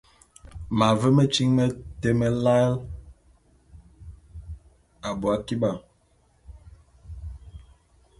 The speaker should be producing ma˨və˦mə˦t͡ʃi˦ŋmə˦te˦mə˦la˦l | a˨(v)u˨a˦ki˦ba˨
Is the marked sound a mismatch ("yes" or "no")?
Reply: yes